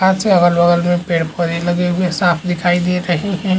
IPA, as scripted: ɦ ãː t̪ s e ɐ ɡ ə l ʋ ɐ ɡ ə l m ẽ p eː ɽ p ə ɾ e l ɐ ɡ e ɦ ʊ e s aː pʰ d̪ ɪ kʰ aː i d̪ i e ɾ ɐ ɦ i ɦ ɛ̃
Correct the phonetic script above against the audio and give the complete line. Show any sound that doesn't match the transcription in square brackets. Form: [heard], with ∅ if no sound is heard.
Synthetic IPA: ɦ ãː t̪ s e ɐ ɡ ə l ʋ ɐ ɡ ə l m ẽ p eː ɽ p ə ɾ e l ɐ ɡ e ɦ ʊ e s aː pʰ d̪ ɪ kʰ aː i d̪ i e ɾ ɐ ɦ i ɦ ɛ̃